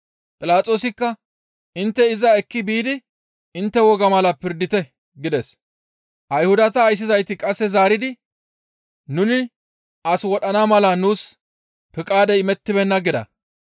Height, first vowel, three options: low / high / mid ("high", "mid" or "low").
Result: high